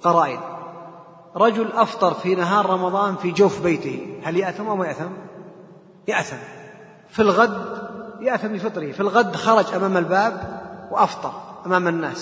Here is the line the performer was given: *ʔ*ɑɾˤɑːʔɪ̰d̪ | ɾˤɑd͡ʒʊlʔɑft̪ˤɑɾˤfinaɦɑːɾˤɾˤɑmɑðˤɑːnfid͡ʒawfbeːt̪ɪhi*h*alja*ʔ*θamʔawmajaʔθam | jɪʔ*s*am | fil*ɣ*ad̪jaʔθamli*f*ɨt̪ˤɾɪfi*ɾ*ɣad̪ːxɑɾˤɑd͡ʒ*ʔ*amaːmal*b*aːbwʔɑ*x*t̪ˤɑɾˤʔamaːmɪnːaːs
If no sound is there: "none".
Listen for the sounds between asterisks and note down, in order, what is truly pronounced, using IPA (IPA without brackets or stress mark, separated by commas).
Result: q, h, ʔ, θ, ɣ, f, l, ʔ, b, f